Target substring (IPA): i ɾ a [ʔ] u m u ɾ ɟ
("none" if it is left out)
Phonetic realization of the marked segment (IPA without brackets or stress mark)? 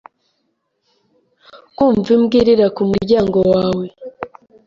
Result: k